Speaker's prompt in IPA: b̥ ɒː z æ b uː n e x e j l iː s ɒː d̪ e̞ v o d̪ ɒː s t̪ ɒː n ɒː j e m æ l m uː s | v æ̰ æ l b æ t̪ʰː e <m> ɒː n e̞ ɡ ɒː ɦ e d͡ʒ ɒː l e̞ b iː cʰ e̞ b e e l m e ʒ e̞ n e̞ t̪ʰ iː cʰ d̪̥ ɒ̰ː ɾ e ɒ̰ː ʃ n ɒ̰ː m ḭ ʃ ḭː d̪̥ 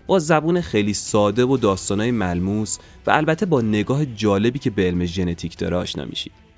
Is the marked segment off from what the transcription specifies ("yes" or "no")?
yes